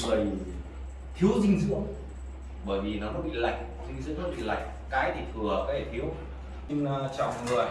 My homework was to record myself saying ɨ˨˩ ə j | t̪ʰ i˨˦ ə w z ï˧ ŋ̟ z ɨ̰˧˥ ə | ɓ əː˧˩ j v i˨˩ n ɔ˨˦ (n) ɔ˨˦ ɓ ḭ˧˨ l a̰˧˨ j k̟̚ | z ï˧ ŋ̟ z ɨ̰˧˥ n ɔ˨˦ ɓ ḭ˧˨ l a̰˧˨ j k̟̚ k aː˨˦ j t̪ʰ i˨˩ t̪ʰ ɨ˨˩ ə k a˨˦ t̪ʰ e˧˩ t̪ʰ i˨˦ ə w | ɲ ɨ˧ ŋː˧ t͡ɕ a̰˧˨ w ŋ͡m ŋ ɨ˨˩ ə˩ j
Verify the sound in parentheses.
correct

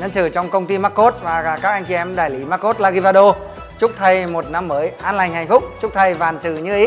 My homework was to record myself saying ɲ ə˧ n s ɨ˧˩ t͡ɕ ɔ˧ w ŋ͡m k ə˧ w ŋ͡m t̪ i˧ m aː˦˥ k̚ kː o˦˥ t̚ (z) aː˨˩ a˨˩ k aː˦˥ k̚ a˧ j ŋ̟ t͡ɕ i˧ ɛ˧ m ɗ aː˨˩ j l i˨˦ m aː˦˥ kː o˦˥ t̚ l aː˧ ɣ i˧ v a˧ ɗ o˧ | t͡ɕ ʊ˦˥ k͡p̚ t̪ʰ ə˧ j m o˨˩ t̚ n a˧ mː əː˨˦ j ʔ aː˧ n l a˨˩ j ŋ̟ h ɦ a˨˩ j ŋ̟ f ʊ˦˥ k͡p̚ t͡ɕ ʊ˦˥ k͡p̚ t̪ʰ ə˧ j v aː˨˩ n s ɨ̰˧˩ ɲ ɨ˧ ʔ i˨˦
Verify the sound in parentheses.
incorrect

